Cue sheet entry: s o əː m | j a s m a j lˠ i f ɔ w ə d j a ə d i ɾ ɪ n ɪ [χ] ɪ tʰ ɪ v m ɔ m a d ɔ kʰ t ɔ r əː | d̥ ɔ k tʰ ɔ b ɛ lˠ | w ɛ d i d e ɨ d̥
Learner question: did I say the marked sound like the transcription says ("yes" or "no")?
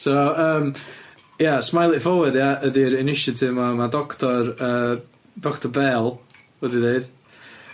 no